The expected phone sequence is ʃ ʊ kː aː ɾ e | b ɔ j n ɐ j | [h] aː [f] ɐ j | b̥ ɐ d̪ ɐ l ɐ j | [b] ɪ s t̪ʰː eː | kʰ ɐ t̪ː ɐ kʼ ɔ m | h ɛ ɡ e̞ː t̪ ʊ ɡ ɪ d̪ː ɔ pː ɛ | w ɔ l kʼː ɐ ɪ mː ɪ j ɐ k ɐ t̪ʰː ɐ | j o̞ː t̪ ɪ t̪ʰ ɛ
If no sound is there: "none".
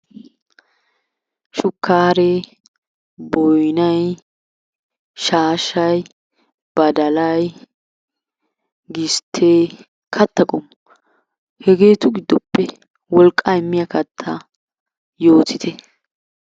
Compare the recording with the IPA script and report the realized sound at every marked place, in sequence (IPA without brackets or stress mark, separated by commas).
ʃ, ʃ, ɡ